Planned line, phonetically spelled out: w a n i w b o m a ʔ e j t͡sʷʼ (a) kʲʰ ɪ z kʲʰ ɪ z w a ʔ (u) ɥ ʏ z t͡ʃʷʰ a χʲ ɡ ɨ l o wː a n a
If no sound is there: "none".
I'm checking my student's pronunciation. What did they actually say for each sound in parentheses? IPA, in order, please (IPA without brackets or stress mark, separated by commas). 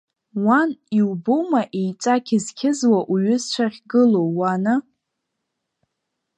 a, u